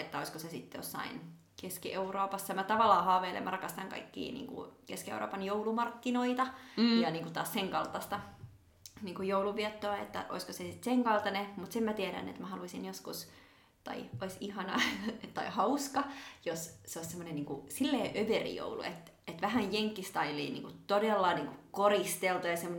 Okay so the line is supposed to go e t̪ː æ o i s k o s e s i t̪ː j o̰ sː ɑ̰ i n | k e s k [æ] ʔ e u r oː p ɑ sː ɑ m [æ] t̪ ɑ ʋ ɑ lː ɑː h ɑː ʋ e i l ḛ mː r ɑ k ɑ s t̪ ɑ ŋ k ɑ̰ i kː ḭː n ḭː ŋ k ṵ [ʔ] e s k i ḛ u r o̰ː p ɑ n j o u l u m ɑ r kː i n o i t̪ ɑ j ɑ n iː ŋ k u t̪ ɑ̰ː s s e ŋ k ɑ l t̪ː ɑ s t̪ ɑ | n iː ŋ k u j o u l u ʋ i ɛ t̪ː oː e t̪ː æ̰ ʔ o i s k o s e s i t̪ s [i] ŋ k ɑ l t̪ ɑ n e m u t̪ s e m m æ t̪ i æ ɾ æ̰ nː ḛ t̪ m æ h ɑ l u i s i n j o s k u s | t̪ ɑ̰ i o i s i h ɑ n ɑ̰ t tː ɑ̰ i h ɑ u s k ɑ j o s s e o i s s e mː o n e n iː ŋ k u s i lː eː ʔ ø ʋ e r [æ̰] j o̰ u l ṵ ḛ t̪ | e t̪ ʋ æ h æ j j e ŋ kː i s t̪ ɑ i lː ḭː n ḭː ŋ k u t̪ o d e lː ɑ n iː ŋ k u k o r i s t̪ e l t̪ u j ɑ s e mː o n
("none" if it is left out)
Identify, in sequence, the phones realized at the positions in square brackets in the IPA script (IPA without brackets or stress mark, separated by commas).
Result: i, æ, k, e, ḭ